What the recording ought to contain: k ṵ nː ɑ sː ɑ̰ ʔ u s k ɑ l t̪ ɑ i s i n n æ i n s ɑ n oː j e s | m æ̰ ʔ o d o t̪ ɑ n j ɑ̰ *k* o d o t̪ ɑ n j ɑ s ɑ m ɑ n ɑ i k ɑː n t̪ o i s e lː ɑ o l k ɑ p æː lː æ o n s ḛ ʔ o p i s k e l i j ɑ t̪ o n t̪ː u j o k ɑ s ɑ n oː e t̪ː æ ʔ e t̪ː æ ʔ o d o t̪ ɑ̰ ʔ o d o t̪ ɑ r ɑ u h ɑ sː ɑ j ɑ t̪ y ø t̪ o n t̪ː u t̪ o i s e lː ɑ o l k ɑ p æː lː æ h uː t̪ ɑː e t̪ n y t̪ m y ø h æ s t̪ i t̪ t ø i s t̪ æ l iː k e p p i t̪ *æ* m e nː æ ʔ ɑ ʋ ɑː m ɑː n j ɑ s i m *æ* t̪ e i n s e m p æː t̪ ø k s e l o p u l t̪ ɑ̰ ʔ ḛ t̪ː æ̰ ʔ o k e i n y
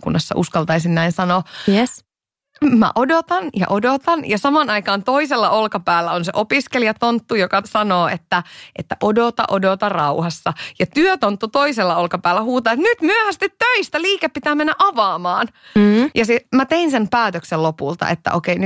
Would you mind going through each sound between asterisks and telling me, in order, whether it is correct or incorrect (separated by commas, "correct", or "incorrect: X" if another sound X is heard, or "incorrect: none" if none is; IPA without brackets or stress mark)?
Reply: incorrect: ʔ, incorrect: æː, correct